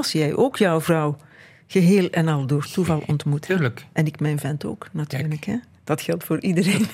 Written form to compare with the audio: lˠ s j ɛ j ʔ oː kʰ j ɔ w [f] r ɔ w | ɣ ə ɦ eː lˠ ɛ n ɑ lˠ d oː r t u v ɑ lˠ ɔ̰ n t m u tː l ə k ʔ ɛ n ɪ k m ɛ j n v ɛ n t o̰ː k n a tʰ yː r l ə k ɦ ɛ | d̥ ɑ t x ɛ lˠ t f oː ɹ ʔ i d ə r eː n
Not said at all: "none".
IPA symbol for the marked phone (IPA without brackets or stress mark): v